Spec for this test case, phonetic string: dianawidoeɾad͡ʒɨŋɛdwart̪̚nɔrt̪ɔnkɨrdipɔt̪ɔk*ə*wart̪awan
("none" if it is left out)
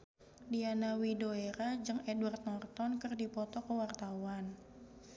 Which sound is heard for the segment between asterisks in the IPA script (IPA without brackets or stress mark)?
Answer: ə